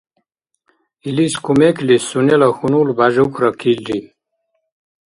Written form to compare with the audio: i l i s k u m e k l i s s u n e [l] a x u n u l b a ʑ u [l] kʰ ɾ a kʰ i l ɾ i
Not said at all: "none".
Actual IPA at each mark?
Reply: l, none

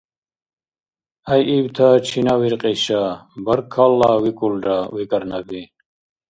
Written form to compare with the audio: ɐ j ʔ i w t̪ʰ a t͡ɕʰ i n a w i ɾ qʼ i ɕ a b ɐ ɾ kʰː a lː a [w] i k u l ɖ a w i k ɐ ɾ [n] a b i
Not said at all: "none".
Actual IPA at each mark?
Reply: w, n

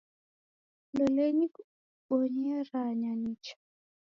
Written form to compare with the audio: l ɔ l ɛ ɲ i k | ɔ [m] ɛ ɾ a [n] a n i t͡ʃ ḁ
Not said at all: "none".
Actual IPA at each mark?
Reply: ɲ, ɲ

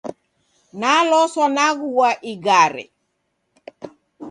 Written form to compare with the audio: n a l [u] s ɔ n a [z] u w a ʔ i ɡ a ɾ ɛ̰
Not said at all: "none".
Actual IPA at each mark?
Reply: ɔ, ɣ

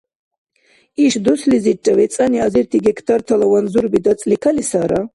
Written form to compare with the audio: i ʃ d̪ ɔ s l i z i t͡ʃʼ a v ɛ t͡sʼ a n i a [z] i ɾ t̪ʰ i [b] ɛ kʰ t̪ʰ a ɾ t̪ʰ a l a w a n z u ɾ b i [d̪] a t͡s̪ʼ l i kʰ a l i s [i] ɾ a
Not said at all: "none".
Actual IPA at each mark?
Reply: z, ɡ, d̪, a

